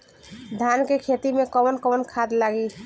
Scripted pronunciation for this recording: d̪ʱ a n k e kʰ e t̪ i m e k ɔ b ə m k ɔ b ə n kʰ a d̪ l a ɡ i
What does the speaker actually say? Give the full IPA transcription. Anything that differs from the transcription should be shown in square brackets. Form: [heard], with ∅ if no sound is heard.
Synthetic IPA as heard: d̪ʱ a n k e kʰ e t̪ i m e k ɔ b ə [n] k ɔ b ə n kʰ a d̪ l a ɡ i